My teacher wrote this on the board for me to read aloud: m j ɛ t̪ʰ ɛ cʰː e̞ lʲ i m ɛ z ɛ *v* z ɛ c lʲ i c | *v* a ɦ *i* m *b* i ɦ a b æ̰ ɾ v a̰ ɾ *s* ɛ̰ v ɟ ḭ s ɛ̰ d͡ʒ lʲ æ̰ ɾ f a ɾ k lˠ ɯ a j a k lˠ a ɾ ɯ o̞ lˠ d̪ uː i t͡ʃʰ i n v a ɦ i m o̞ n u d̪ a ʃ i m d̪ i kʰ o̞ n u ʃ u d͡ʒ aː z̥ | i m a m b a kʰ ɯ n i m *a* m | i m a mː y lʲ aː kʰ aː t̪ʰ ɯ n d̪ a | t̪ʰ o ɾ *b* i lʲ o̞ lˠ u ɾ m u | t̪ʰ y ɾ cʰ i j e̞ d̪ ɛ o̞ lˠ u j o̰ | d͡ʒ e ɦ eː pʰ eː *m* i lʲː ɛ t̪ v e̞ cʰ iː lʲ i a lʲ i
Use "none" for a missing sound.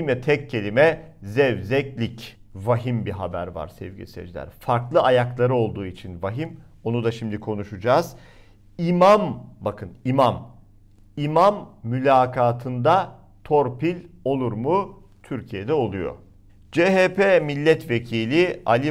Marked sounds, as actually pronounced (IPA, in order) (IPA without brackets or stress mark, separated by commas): v, v, i, b, s, a, p, m